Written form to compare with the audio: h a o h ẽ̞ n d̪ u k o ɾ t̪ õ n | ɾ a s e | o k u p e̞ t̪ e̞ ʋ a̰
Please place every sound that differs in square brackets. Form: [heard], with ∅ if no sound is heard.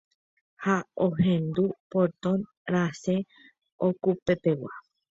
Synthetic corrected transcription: h a o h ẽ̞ n d̪ u [p] o ɾ t̪ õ n | ɾ a s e | o k u p e̞ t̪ e̞ [w] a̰